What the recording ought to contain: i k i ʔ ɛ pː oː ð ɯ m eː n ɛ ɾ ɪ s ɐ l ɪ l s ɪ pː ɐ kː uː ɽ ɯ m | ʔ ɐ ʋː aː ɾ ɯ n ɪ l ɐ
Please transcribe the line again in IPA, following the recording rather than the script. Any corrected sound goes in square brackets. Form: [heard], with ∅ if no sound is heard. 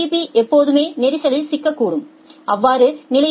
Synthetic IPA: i [p] i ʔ ɛ pː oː ð ɯ m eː n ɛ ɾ ɪ s ɐ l ɪ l s ɪ [kː] ɐ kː uː ɽ ɯ m | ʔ ɐ ʋː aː ɾ ɯ n ɪ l ɐ

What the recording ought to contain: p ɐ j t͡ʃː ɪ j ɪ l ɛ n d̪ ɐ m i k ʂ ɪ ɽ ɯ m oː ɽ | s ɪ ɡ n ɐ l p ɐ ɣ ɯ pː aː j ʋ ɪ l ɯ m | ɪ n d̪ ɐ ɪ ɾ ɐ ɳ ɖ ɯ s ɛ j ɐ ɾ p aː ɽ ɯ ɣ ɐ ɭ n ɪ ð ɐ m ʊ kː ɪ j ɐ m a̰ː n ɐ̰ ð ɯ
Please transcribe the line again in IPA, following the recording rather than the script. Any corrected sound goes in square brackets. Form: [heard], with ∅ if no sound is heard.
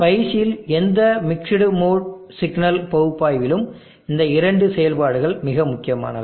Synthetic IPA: p ɐ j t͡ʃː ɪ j ɪ l ɛ n d̪ ɐ m [ɪ] k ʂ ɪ ɽ ɯ m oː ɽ | s ɪ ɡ n ɐ l p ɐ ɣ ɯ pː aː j ʋ ɪ l ɯ m | ɪ n d̪ ɐ ɪ ɾ ɐ ɳ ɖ ɯ s ɛ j ɐ [l] p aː ɽ ɯ ɣ ɐ ɭ [m] ɪ [ɣ] ɐ m ʊ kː ɪ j ɐ m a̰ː n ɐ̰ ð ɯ

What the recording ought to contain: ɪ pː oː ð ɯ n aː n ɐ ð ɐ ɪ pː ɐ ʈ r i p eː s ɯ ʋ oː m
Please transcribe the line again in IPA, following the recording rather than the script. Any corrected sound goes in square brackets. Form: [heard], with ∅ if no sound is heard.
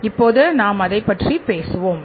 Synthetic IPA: ɪ pː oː ð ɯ n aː [m] ɐ ð ɐ ɪ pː ɐ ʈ r i p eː s ɯ ʋ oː m

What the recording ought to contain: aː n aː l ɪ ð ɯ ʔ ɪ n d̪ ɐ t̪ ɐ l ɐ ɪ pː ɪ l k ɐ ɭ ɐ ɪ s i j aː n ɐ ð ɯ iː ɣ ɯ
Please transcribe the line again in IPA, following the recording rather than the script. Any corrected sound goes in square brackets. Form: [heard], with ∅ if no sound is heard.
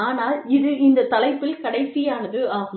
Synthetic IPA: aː n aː l ɪ ð ɯ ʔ ɪ n d̪ ɐ t̪ ɐ l ɐ ɪ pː ɪ l k ɐ [ɽ] ɐ ɪ s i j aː n ɐ ð ɯ [aː] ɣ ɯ

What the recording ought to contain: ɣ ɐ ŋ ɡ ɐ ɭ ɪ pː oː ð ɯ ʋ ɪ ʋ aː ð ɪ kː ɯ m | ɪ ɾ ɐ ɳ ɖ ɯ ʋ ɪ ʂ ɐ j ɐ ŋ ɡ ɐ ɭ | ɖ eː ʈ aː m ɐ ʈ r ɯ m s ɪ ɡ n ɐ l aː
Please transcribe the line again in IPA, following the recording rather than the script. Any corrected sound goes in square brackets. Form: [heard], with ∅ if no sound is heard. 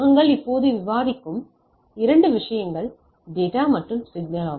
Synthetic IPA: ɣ ɐ ŋ ɡ ɐ ɭ ɪ pː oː ð ɯ ʋ ɪ ʋ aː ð ɪ kː ɯ m | ɪ ɾ ɐ ɳ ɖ ɯ ʋ ɪ ʂ ɐ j ɐ ŋ ɡ ɐ ɭ | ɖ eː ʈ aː m ɐ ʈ r ɯ m s ɪ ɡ n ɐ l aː

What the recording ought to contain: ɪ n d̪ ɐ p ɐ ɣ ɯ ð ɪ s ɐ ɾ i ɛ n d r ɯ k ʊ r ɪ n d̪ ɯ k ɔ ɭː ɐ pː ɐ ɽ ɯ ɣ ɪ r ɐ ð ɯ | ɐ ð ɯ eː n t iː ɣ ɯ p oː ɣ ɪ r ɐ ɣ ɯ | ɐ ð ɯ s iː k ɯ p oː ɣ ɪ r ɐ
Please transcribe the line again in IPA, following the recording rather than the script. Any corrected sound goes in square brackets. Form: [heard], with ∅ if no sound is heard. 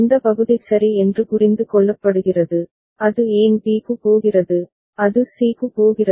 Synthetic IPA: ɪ n d̪ ɐ p ɐ ɣ ɯ ð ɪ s ɐ ɾ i ɛ n d r ɯ k ʊ r ɪ n d̪ ɯ k ɔ ɭː ɐ pː ɐ ɽ ɯ ɣ ɪ r ɐ ð ɯ | ɐ ð ɯ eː n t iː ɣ ɯ p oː ɣ ɪ r ɐ [ð] ɯ | ɐ ð ɯ s iː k ɯ p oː ɣ ɪ r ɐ

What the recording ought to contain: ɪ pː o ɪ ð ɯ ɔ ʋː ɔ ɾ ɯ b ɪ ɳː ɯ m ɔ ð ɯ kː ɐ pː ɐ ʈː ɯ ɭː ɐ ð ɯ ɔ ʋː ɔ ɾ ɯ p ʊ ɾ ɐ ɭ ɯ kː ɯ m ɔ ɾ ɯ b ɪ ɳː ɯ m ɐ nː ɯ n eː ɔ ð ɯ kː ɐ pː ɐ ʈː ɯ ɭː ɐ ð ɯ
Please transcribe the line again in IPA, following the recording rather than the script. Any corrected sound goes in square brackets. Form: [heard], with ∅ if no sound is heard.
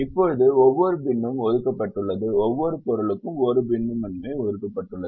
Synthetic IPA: ɪ pː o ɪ ð ɯ ɔ ʋː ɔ ɾ ɯ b ɪ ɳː ɯ m ɔ ð ɯ kː ɐ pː ɐ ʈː ɯ ɭː ɐ ð ɯ ɔ ʋː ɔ ɾ ɯ p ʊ ɾ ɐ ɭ ɯ kː ɯ m ɔ ɾ ɯ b ɪ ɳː ɯ m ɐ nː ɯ [m] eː ɔ ð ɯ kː ɐ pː ɐ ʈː ɯ ɭː ɐ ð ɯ

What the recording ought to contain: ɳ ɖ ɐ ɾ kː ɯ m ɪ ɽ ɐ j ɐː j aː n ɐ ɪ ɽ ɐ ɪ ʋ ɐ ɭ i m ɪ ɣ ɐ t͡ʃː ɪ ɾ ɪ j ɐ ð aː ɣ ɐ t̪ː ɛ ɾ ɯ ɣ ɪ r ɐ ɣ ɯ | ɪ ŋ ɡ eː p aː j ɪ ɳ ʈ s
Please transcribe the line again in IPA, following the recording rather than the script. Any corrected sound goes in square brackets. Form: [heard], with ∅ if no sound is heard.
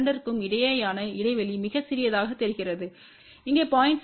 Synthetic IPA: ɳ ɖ ɐ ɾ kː ɯ m ɪ ɽ ɐ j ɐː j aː n ɐ ɪ ɽ ɐ ɪ ʋ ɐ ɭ i m ɪ ɣ ɐ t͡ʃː ɪ ɾ ɪ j ɐ ð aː ɣ ɐ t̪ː ɛ ɾ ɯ ɣ ɪ r ɐ [ð] ɯ | ɪ ŋ ɡ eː p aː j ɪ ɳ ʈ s

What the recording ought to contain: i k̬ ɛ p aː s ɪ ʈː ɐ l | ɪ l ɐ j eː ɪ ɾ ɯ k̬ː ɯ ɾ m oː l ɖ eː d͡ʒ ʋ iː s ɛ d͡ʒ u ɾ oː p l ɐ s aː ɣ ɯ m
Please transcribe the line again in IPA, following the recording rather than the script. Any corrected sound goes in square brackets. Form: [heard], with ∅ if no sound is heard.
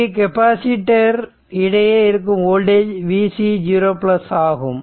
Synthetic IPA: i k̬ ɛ p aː s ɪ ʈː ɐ [ɾ] | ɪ [ɽ] ɐ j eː ɪ ɾ ɯ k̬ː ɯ [∅] m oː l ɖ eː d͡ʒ ʋ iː s [i] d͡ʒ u ɾ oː p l ɐ s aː ɣ ɯ m

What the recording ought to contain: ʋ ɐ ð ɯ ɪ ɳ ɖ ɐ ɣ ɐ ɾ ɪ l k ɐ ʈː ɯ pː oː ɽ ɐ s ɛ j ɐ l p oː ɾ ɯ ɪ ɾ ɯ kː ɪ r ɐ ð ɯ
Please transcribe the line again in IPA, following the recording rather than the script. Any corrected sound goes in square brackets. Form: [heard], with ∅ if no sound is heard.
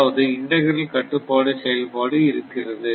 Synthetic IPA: ʋ ɐ ð ɯ ɪ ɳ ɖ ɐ ɣ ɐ ɾ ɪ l k ɐ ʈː ɯ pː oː ɽ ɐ s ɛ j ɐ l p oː [ɽ] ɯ ɪ ɾ ɯ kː ɪ r ɐ ð ɯ

